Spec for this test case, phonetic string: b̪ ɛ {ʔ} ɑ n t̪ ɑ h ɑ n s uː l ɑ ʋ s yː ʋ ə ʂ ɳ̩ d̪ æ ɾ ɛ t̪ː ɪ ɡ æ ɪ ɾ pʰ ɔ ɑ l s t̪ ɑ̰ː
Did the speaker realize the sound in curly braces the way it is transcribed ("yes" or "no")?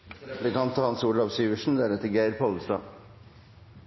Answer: no